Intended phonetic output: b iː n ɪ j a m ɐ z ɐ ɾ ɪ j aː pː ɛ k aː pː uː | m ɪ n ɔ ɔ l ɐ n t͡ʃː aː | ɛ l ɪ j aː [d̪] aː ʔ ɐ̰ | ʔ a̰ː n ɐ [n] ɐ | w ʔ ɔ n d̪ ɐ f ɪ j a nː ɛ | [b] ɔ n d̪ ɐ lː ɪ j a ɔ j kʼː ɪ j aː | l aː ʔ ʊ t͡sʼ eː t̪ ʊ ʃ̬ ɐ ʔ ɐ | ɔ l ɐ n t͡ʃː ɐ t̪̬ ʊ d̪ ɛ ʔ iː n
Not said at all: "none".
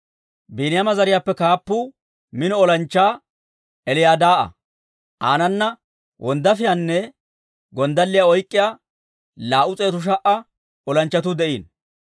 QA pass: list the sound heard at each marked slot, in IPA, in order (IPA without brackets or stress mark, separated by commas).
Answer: d̪, nː, ɡ